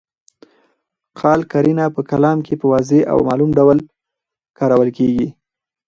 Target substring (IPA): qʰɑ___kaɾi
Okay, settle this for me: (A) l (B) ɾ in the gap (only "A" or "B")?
A